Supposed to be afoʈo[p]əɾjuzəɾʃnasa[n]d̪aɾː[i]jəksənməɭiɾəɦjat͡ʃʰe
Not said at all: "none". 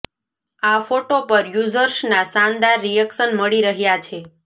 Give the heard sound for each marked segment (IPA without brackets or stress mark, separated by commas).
p, n, i